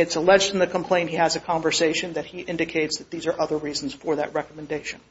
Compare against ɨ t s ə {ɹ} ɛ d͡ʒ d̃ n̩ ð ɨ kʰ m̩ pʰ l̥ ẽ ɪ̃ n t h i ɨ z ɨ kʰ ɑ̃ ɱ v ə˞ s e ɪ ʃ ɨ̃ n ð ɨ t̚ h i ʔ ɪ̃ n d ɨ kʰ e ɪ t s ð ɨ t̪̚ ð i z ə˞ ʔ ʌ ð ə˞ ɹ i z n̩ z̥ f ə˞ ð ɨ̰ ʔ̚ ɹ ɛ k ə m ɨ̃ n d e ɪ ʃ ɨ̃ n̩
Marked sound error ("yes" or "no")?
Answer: yes